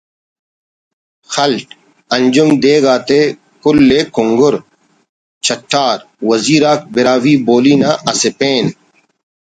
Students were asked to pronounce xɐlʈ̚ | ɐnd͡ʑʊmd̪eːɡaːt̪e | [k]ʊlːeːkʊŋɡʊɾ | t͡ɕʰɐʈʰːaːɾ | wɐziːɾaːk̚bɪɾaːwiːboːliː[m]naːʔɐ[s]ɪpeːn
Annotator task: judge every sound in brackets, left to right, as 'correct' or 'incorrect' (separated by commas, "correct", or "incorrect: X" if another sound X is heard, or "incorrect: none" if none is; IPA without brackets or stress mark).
correct, incorrect: none, correct